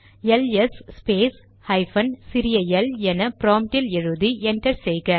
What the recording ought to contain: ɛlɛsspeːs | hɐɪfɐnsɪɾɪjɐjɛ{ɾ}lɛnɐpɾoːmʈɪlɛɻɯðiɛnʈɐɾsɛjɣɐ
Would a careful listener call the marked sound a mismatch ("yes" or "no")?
yes